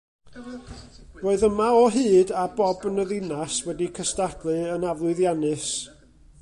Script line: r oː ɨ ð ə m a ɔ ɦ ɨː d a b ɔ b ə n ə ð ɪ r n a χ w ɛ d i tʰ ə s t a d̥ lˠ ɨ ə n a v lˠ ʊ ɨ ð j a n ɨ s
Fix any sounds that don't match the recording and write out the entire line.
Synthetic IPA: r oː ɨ ð ə m a ɔ ɦ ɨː d a b ɔ b ə n ə ð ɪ n a s w ɛ d i kʰ ə s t a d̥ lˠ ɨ ə n a v lˠ ʊ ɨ ð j a n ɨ s